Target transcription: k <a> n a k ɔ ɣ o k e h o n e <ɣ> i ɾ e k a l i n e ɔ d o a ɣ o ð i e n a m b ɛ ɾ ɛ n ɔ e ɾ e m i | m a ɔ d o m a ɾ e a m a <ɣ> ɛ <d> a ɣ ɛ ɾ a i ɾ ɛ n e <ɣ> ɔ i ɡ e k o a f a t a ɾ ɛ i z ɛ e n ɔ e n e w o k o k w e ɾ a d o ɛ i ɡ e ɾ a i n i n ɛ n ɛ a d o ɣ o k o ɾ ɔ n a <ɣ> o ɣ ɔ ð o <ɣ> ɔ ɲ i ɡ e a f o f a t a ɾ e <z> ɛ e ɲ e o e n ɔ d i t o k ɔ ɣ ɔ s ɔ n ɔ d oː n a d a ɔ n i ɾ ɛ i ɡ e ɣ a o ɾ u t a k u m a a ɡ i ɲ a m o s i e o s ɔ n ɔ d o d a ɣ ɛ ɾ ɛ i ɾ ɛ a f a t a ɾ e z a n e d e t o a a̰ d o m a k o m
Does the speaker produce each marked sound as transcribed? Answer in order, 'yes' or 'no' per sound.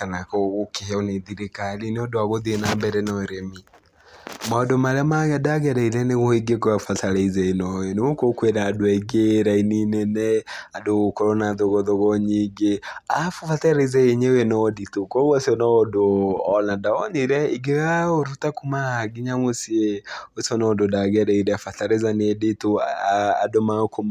yes, no, yes, yes, yes, no, yes, yes

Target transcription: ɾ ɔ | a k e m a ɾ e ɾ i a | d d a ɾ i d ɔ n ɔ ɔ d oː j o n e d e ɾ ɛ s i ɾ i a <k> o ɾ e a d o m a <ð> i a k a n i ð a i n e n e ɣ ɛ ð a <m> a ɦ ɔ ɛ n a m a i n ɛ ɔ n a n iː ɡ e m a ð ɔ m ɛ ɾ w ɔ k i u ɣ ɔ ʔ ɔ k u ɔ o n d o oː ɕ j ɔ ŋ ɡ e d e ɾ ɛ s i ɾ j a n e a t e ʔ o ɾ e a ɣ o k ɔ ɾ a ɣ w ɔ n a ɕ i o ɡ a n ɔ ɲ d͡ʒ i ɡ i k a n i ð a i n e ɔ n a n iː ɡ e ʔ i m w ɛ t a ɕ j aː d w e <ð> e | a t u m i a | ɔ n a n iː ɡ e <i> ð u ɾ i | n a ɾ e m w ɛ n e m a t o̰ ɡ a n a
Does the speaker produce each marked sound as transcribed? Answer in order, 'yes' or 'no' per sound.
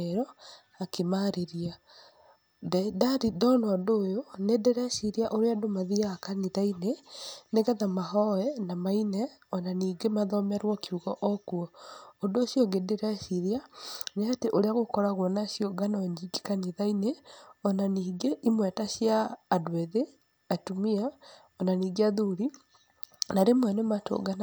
no, yes, yes, yes, no

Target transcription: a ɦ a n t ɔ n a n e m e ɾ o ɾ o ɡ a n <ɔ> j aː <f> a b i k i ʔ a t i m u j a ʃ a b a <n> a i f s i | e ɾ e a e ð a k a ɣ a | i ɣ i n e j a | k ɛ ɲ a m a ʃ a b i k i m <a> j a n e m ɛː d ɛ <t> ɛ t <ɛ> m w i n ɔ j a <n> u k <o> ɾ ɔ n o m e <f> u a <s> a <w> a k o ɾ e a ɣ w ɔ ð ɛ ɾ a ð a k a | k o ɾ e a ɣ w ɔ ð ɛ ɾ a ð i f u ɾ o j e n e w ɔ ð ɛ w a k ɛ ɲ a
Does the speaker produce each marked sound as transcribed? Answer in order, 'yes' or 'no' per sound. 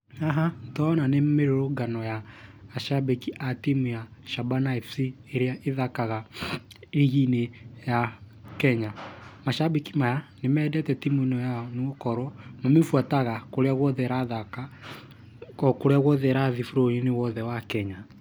yes, no, yes, yes, yes, no, yes, no, yes, no, no

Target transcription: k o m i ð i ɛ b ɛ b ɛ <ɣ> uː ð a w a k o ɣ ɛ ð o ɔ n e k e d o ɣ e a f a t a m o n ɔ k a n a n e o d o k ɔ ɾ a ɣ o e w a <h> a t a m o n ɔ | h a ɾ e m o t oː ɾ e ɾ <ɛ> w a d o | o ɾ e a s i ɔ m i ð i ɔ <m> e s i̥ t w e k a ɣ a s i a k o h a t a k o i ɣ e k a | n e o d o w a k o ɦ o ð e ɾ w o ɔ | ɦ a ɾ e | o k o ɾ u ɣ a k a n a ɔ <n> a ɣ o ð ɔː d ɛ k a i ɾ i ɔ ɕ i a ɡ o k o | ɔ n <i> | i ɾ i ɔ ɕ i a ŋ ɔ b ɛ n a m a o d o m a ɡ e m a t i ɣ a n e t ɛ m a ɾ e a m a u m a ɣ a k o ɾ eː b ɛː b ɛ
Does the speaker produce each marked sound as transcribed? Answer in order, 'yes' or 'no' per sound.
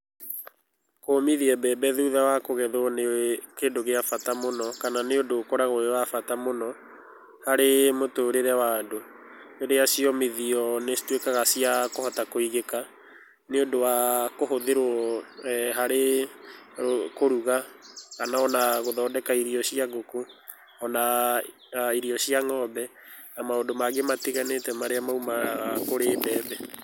no, no, yes, no, yes, no

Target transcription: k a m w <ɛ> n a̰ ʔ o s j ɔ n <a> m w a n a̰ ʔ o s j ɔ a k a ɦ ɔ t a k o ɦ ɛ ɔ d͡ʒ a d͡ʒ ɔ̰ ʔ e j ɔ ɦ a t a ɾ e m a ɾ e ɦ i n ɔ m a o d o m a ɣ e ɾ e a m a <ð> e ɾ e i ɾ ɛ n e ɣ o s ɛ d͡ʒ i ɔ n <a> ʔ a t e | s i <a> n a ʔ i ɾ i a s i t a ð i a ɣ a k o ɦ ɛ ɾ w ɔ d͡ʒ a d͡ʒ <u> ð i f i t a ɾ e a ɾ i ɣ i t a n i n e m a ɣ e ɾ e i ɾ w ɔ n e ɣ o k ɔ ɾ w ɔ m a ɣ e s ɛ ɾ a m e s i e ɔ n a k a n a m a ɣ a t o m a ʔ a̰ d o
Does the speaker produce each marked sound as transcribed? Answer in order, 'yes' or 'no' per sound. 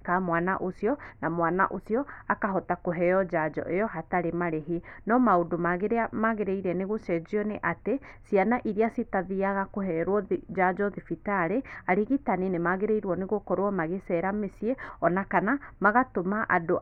no, yes, no, no, yes, no

